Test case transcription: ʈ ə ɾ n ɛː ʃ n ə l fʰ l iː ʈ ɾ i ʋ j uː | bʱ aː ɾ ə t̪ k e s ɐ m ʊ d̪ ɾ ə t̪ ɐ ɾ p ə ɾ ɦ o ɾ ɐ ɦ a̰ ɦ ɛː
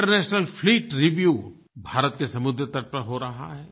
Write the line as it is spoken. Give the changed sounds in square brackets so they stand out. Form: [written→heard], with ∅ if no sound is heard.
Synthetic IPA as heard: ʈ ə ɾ n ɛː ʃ n ə l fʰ l iː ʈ ɾ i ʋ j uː | bʱ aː ɾ ə t̪ k e s ɐ m ʊ d̪ ɾ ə t̪ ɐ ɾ p ə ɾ ɦ o ɾ ɐ ɦ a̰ ɦ ɛː